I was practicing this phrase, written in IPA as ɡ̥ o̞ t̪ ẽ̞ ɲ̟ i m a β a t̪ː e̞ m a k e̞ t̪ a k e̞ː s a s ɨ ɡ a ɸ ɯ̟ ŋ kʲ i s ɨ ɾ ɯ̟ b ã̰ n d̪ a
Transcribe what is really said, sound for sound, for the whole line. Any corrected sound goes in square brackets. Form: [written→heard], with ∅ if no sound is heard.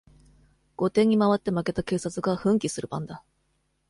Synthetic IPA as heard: ɡ̥ o̞ t̪ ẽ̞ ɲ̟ i m a β a t̪ː e̞ m a k e̞ t̪ a k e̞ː s a [s→t͡s] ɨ ɡ a ɸ [ɯ̟→ɯ̟̃] ŋ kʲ i s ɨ ɾ ɯ̟ b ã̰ n d̪ a